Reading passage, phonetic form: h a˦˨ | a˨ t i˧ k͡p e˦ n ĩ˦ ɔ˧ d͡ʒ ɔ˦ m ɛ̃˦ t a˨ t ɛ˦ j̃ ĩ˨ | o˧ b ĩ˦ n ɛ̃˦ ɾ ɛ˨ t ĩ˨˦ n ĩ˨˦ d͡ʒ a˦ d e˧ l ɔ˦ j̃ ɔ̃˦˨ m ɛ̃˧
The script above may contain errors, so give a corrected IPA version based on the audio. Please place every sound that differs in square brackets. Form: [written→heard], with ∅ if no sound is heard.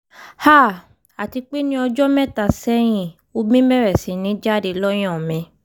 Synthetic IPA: h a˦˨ | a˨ t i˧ k͡p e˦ n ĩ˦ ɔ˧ d͡ʒ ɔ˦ m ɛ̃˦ t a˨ [t→s] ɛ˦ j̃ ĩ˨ | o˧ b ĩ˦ [n→m] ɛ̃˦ ɾ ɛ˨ [t→s] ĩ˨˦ n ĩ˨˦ d͡ʒ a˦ d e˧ l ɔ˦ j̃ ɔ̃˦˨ m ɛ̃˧